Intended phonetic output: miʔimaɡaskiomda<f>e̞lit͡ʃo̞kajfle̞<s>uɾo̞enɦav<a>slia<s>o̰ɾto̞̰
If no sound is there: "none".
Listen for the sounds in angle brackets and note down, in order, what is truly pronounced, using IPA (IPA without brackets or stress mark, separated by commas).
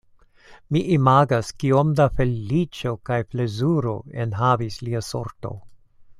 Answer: f, z, i, s